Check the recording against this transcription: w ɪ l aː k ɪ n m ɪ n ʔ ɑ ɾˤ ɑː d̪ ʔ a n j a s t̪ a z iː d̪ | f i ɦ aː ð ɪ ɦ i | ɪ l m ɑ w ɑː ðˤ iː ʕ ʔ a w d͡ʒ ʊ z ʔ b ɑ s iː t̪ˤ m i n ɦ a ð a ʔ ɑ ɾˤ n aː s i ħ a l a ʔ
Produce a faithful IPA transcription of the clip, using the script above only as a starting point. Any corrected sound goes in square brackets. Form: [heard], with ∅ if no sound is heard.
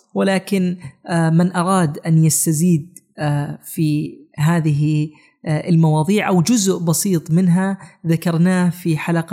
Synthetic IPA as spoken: w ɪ l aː k ɪ n m ɪ n ʔ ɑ ɾˤ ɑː d̪ ʔ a n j a s t̪ a z iː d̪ | f i ɦ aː ð ɪ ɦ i | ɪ l m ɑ w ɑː ðˤ iː ʕ ʔ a w d͡ʒ ʊ z ʔ b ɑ s iː t̪ˤ m [ɪ] n ɦ a ð a [k] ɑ ɾˤ n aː [f] i ħ a l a [q]